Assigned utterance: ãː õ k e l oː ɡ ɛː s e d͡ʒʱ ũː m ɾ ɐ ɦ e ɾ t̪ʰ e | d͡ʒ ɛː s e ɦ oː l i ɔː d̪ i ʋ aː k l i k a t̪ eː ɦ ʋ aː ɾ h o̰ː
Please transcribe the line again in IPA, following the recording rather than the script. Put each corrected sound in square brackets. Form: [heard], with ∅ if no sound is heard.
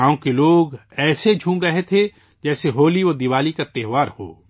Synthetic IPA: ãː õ k e l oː ɡ ɛː s e d͡ʒʱ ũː m ɾ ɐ ɦ e [∅] t̪ʰ e | d͡ʒ ɛː s e ɦ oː l i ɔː d̪ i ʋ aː [∅] l i k a t̪ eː ɦ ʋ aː ɾ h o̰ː